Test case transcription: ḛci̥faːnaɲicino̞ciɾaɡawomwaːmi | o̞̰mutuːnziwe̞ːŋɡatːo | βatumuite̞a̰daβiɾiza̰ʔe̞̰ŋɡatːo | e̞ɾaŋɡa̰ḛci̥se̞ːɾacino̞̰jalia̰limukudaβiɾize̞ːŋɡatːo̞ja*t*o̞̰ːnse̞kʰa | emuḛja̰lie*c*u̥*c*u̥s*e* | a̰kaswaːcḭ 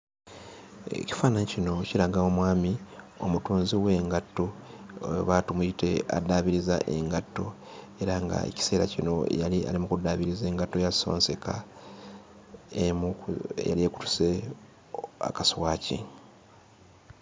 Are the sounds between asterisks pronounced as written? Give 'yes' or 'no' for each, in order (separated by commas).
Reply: no, no, no, yes